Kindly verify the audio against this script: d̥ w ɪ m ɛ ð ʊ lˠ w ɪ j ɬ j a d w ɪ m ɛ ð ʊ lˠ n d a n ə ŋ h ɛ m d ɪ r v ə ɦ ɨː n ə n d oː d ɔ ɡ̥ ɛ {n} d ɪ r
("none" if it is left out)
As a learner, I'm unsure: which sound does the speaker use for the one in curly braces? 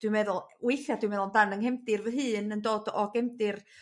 m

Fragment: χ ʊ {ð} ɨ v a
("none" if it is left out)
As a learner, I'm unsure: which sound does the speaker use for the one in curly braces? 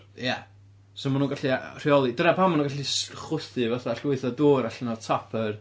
θ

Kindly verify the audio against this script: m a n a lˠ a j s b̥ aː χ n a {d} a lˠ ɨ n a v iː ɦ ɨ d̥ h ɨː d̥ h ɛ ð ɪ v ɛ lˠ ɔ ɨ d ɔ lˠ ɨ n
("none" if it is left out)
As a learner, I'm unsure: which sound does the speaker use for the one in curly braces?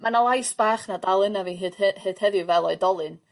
d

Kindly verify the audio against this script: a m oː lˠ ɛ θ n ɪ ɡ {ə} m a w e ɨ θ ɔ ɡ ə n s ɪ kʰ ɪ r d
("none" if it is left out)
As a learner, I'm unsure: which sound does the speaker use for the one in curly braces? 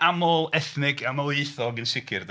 a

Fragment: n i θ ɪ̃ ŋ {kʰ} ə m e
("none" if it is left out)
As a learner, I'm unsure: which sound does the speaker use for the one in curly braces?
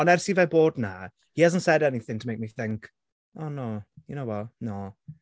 tʰ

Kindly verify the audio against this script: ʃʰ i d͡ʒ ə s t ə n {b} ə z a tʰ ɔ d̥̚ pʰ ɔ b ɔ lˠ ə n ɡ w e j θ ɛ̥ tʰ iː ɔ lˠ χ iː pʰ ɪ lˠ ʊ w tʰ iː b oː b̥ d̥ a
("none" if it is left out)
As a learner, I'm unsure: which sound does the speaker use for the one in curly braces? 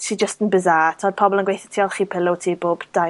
b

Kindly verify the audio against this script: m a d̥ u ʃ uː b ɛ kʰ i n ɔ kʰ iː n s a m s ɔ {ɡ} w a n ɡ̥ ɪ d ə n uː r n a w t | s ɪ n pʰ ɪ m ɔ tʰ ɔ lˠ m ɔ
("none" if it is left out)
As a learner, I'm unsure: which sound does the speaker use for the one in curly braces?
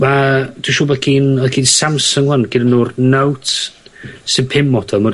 ŋ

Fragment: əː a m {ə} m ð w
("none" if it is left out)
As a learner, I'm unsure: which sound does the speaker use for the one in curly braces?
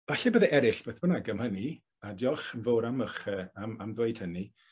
a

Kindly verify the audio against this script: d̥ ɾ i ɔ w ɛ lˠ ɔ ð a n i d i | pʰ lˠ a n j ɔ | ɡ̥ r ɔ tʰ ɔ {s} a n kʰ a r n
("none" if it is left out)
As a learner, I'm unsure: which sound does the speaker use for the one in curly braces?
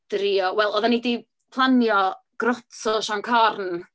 ʃ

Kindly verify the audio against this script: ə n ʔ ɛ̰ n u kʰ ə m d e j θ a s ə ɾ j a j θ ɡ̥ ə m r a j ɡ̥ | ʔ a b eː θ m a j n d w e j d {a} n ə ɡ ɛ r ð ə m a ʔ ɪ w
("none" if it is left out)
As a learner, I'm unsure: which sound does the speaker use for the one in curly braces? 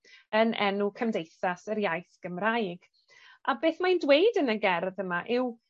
ə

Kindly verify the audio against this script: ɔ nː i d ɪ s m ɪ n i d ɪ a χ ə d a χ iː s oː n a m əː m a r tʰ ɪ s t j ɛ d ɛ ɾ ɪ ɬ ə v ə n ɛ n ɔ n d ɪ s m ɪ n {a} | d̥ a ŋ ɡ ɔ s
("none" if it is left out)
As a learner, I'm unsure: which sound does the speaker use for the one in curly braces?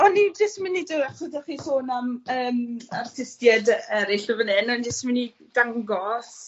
i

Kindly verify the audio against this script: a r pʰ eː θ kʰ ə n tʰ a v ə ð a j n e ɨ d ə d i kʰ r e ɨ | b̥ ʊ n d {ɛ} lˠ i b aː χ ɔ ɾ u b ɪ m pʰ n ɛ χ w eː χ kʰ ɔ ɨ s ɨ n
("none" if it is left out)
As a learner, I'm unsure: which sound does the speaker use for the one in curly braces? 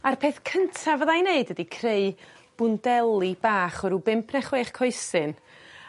ɛ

